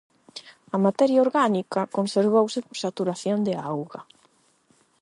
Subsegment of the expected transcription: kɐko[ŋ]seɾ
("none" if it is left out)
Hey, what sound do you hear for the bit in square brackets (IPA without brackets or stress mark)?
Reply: n